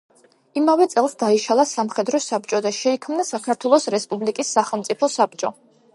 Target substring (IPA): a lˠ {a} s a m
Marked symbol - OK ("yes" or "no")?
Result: yes